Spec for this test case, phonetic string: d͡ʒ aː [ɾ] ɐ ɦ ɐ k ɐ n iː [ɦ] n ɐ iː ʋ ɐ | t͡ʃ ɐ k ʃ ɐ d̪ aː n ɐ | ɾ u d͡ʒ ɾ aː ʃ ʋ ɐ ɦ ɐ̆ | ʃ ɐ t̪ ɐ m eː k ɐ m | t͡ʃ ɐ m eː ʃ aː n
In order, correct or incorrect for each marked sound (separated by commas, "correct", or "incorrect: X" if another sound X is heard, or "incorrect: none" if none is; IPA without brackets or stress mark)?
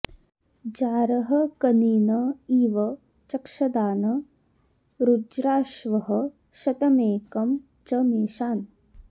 correct, incorrect: none